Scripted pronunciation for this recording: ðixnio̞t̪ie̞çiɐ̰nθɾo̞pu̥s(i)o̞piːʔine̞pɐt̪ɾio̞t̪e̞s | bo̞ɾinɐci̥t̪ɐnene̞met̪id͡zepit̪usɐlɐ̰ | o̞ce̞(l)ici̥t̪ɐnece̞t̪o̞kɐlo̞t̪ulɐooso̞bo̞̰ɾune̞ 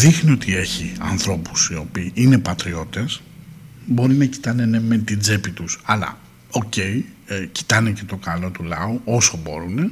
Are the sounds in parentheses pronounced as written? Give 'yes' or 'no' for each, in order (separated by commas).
yes, no